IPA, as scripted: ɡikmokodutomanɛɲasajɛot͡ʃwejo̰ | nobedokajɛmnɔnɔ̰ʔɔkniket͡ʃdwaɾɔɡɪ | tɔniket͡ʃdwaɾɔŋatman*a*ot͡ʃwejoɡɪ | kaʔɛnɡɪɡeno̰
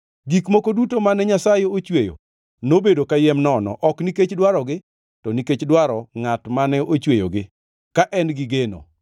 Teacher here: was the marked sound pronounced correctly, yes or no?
no